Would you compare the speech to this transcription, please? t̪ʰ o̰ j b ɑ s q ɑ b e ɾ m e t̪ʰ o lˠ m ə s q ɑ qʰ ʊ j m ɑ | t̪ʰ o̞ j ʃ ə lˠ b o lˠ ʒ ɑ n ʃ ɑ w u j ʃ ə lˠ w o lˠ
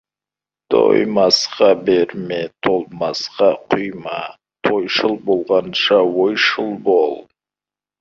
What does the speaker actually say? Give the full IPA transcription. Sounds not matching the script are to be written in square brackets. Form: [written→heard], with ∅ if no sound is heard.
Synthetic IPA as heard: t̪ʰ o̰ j [b→m] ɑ s q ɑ b e ɾ m e t̪ʰ o lˠ m [ə→ɑ] s q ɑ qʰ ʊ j m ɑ | t̪ʰ o̞ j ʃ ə lˠ b o lˠ [ʒ→ʁ] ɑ n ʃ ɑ w [u→o] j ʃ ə lˠ [w→b] o lˠ